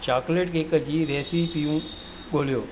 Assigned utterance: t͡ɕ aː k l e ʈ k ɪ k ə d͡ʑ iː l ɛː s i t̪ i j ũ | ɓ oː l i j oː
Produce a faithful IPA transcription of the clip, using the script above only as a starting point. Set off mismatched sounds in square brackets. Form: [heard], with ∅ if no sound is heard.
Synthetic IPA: t͡ɕ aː k l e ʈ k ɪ k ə d͡ʑ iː [ɾ] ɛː s i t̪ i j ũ | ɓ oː l i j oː

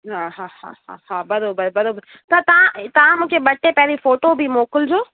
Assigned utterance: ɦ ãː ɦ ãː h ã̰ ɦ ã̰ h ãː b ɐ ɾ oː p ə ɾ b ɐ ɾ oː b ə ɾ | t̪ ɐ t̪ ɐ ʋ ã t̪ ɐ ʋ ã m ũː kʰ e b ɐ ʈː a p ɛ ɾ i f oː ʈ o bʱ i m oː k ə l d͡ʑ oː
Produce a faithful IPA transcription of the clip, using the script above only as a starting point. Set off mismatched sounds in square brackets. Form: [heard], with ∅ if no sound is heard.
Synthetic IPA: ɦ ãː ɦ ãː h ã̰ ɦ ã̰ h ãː b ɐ ɾ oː [b] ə ɾ b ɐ ɾ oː b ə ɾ | t̪ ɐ t̪ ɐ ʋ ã t̪ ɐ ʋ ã m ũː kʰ e b ɐ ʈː [e] p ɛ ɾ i f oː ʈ o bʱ i m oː k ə l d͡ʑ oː

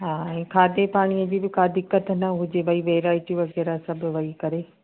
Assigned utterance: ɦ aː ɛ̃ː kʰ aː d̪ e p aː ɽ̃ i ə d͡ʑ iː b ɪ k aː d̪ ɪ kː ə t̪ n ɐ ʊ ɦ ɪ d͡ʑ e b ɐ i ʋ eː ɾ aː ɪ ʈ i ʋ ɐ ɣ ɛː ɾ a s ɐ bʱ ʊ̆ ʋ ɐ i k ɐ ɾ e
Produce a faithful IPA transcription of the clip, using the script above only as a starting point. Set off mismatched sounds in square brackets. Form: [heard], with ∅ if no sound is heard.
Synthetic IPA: ɦ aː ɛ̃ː kʰ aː d̪ e p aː ɽ̃ i ə d͡ʑ iː b ɪ k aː d̪ ɪ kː ə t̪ n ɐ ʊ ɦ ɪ d͡ʑ e b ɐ i ʋ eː ɾ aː ɪ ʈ i ʋ ɐ ɣ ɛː ɾ a s ɐ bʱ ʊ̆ ʋ ɐ i k ɐ ɾ e

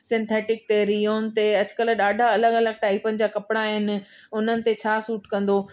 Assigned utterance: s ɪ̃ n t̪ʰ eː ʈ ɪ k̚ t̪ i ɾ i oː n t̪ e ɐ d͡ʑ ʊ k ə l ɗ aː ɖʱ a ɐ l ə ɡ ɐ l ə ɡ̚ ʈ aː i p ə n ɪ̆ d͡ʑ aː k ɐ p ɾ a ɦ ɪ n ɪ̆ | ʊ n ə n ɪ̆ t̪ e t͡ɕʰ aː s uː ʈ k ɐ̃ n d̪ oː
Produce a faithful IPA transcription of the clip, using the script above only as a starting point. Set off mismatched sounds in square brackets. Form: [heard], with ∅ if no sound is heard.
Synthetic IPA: s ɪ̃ n t̪ʰ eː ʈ ɪ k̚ t̪ [e] ɾ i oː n t̪ e ɐ d͡ʑ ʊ k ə l ɗ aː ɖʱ a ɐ l ə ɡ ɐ l ə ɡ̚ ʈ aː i p ə n ɪ̆ d͡ʑ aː k ɐ p [ɽ] a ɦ ɪ n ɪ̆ | ʊ n ə n ɪ̆ t̪ e t͡ɕʰ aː s uː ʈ k ɐ̃ n d̪ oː

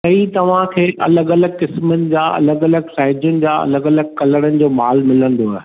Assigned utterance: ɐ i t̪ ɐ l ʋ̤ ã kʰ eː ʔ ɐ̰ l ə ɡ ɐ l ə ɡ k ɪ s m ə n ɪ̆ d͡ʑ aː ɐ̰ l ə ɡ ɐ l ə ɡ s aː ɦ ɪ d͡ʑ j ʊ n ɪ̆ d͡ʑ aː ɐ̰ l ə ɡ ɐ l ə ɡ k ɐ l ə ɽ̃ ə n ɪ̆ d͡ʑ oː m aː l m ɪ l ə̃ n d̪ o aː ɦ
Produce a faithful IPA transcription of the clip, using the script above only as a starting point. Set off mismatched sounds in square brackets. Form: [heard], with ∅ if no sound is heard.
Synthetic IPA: ɐ i t̪ ɐ [∅] ʋ̤ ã kʰ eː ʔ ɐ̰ l ə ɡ ɐ l ə ɡ k ɪ s m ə n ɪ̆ d͡ʑ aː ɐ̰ l ə ɡ ɐ l ə ɡ s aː ɦ ɪ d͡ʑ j ʊ n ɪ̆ d͡ʑ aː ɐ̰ l ə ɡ ɐ l ə ɡ k ɐ l ə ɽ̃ ə n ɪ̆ d͡ʑ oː m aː l m ɪ l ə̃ n d̪ o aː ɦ

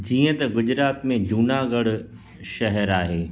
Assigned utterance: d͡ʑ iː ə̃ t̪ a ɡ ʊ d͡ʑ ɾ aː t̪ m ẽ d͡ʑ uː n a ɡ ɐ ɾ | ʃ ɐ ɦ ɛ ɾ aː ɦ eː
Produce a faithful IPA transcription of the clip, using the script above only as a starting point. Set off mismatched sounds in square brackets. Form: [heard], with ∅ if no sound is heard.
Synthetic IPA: d͡ʑ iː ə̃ t̪ [ɐ] ɡ ʊ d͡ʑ ɾ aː t̪ m ẽ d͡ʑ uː n a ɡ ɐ [ɽ] | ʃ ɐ ɦ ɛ ɾ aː ɦ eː

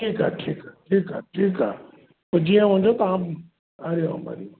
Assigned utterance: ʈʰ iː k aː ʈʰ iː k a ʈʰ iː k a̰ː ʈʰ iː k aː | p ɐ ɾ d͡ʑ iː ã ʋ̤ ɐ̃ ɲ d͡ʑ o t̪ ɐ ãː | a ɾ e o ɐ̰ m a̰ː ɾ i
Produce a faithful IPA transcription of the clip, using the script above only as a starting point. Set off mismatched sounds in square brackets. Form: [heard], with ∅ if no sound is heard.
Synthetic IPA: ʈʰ iː k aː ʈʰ iː k a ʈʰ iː k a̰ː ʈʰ iː k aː | p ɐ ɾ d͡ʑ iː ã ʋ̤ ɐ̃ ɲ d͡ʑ o t̪ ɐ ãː | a ɾ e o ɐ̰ m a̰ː ɾ i

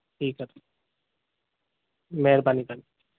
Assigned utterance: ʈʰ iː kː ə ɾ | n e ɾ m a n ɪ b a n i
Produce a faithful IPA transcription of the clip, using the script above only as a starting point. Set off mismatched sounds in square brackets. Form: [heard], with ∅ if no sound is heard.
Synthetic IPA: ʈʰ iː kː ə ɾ | [m] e ɾ [b] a n [i] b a n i

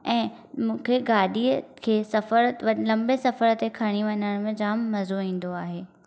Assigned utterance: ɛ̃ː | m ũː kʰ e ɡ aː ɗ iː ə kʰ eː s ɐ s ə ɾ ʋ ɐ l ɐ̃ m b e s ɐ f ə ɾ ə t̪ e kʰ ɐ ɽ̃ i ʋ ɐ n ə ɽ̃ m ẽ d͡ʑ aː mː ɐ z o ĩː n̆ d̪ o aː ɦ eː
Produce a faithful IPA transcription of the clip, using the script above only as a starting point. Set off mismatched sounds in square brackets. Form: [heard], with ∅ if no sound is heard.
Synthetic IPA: ɛ̃ː | m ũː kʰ e ɡ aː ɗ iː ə kʰ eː s ɐ [f] ə ɾ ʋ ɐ l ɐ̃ m b e s ɐ f ə ɾ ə t̪ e kʰ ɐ ɽ̃ i ʋ ɐ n ə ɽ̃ m ẽ d͡ʑ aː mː ɐ z o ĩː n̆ d̪ o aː ɦ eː

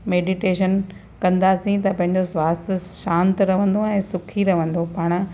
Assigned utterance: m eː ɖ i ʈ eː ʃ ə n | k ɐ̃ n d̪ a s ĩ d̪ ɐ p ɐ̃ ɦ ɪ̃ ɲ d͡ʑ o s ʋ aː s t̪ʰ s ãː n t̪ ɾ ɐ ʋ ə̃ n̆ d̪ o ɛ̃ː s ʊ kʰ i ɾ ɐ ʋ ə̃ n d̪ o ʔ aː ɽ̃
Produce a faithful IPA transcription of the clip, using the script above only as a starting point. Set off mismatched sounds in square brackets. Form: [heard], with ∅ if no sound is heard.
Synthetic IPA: m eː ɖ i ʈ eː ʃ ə n | k ɐ̃ n d̪ a s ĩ [t̪] ɐ p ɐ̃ ɦ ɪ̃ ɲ d͡ʑ o s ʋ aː s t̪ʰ [ʃ] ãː n t̪ ɾ ɐ ʋ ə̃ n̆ d̪ o ɛ̃ː s ʊ kʰ i ɾ ɐ ʋ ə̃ n d̪ o [p] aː ɽ̃

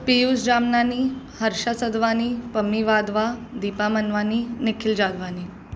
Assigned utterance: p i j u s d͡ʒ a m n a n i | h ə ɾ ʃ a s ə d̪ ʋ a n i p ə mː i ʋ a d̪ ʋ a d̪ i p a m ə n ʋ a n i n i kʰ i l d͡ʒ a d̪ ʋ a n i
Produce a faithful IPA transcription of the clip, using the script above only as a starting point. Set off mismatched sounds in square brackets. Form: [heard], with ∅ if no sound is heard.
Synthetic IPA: p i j u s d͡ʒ a m n a n i | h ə ɾ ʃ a s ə d̪ ʋ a n i p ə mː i ʋ a d̪ ʋ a d̪ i p a m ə n ʋ a n i n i kʰ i l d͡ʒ a d̪ ʋ a n i

